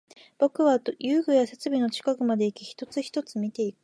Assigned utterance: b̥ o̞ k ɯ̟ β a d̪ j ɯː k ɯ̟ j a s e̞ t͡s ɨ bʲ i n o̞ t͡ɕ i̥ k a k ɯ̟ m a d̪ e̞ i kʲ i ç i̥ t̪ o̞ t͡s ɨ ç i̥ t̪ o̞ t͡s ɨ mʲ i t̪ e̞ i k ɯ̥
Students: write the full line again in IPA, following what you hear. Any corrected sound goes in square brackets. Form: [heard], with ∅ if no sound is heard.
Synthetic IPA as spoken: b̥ o̞ k ɯ̟ β a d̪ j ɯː [ɡ] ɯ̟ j a s e̞ t͡s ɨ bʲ i n o̞ t͡ɕ i̥ k a k ɯ̟ m a d̪ e̞ i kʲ i ç i̥ t̪ o̞ t͡s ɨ ç i̥ t̪ o̞ t͡s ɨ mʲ i t̪ e̞ i k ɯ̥